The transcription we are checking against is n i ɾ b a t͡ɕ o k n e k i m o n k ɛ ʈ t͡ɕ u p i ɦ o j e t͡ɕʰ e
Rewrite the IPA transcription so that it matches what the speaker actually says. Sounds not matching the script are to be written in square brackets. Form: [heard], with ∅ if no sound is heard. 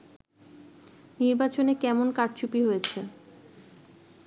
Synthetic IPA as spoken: n i ɾ b a t͡ɕ o [∅] n e k [ɛ] m o n k [a] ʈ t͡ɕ u p i ɦ o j e t͡ɕʰ e